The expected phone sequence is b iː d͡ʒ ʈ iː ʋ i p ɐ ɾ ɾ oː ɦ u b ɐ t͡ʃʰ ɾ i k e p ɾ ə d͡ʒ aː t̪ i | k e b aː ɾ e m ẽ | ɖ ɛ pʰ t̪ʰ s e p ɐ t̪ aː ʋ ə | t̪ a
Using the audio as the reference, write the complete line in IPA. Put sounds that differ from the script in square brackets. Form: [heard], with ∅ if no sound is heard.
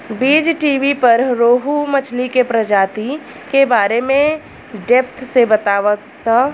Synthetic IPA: b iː d͡ʒ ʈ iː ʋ i p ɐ ɾ ɾ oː ɦ u [m] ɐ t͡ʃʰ [l] i k e p ɾ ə d͡ʒ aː t̪ i | k e b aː ɾ e m ẽ | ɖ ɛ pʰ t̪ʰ s e [b] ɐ t̪ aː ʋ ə | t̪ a